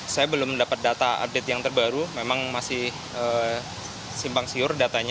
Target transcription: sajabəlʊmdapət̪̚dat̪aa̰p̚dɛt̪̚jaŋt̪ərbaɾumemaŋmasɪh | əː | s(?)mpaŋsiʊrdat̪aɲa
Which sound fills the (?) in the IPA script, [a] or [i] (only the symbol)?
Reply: i